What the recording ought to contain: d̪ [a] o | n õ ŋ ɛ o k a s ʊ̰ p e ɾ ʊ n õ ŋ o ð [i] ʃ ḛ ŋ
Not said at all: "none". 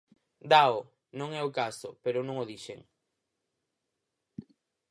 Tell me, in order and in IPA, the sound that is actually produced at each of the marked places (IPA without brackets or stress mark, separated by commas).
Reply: a, i